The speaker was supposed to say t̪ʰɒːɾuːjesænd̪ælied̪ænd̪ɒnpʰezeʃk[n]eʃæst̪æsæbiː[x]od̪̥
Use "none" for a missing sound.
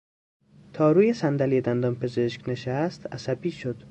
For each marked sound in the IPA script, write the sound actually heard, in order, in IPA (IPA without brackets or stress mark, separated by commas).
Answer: n, ʃ